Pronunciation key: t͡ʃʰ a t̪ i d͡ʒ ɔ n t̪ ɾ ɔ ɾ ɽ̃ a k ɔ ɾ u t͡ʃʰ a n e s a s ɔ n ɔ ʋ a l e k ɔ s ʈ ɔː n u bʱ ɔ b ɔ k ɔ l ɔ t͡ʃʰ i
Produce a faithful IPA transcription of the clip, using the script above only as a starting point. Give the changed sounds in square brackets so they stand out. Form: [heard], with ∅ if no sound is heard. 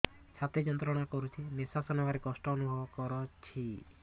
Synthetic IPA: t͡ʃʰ a t̪ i d͡ʒ ɔ n t̪ ɾ ɔ [∅] ɽ̃ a k ɔ ɾ u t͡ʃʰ [i] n e s a s ɔ n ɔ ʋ a [ɾ] e k ɔ s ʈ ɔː n u bʱ ɔ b ɔ k ɔ [ɾ] ɔ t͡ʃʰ i